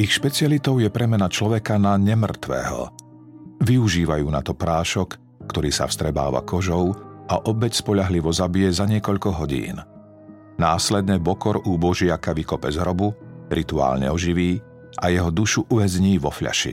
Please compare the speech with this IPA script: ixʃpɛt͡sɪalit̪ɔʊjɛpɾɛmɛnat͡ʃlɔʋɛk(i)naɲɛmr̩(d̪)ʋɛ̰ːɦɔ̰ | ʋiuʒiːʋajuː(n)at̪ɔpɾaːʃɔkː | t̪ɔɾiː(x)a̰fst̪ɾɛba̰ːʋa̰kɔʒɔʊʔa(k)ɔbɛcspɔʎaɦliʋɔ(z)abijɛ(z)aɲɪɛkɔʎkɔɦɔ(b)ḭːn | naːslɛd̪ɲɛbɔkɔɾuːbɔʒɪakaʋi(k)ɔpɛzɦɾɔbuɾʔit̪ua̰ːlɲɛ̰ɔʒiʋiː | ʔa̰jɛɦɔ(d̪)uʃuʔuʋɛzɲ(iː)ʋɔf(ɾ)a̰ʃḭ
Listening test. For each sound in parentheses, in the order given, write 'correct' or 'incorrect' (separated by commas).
incorrect, incorrect, correct, incorrect, incorrect, correct, correct, incorrect, correct, correct, correct, incorrect